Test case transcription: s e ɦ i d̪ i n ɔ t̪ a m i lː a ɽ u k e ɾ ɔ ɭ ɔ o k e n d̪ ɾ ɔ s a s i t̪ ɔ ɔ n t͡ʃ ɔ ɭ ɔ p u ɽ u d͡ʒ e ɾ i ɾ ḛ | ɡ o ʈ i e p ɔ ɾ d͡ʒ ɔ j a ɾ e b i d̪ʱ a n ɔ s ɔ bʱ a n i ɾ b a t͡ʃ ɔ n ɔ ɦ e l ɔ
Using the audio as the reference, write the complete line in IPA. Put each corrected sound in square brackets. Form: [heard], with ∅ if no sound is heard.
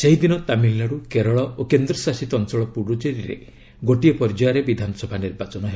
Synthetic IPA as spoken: s e ɦ i d̪ i n ɔ t̪ a m i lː a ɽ u k e ɾ ɔ ɭ ɔ o k e n d̪ ɾ ɔ s a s i t̪ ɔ ɔ n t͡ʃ ɔ ɭ ɔ p u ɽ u d͡ʒ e ɾ i ɾ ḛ | ɡ o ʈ i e p ɔ ɾ d͡ʒ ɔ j a ɾ e b i d̪ʱ a n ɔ s ɔ bʱ a n i ɾ b a t͡ʃ ɔ n ɔ ɦ e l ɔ